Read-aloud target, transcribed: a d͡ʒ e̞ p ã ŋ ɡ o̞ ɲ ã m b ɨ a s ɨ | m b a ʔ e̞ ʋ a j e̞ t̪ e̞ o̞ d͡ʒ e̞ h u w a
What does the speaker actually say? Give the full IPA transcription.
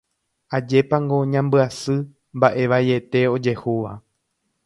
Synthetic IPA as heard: a d͡ʒ e̞ p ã ŋ ɡ o̞ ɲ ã m b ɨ a s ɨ | m b a ʔ e̞ ʋ a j e̞ t̪ e̞ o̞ d͡ʒ e̞ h u ʋ a